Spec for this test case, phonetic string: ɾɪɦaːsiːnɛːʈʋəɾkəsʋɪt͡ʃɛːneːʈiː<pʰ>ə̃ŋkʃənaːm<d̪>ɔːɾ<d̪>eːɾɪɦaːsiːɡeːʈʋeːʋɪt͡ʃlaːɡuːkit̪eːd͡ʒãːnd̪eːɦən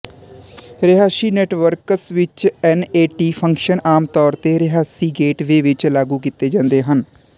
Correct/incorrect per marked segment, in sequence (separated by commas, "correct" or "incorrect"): correct, incorrect, incorrect